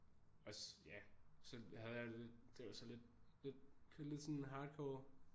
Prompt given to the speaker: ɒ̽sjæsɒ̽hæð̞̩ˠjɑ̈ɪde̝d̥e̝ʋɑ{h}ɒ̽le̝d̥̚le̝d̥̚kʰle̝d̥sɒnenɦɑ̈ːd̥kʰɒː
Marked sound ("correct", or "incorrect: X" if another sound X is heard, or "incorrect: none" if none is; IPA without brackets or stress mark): incorrect: s